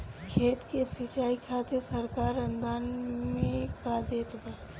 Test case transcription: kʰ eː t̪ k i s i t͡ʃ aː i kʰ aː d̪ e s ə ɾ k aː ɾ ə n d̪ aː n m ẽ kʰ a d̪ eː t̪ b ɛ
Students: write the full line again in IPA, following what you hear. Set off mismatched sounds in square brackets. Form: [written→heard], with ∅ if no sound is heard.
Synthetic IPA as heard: kʰ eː t̪ k [i→e] s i t͡ʃ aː i kʰ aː [d̪→t̪] e s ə ɾ k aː ɾ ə n d̪ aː n m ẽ [kʰ→k] a d̪ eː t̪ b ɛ